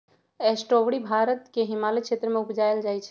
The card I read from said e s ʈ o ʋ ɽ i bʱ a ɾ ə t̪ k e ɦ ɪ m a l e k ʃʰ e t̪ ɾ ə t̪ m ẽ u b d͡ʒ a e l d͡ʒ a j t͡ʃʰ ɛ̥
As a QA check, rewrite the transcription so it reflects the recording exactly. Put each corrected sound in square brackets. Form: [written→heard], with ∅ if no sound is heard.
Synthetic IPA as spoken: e s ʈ o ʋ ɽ i bʱ a ɾ ə t̪ k e ɦ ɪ m a l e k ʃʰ e t̪ ɾ ə [t̪→∅] m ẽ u [b→p] d͡ʒ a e l d͡ʒ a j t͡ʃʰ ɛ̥